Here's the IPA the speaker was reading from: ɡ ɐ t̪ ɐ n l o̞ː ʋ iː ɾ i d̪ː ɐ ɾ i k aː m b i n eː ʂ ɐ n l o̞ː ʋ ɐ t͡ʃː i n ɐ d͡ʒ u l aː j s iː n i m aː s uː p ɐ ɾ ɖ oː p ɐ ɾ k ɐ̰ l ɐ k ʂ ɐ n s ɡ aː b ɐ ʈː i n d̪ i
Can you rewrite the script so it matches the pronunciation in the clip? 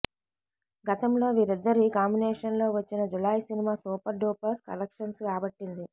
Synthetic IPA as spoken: ɡ ɐ t̪ ɐ m l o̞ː ʋ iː ɾ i d̪ː ɐ ɾ i k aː m b i n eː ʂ ɐ n l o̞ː ʋ ɐ t͡ʃː i n ɐ d͡ʒ u l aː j s i n i m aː s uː p ɐ ɾ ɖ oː p ɐ ɾ k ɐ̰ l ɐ k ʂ ɐ n s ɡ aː b ɐ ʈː i n d̪ i